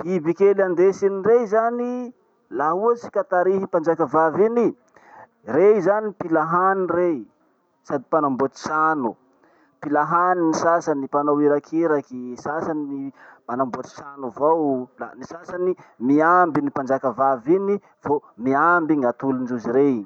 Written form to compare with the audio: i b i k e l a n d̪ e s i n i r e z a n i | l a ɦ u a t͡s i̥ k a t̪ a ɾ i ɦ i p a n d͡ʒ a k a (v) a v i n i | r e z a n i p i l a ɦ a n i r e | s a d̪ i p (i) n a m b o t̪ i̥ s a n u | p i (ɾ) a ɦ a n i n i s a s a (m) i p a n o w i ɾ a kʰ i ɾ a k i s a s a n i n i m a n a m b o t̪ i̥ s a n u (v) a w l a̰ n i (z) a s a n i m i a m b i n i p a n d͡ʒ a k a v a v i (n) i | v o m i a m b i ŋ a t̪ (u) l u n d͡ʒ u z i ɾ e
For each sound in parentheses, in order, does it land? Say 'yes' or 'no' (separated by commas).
yes, no, no, no, yes, no, yes, yes